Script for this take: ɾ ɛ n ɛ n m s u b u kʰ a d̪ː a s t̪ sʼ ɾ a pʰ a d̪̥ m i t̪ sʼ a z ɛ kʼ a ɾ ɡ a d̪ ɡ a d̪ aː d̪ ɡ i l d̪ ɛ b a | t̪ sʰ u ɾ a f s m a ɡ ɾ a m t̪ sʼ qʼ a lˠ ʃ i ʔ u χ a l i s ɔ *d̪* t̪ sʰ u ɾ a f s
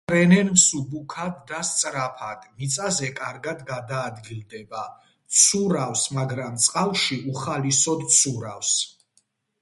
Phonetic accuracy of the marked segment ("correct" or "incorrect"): correct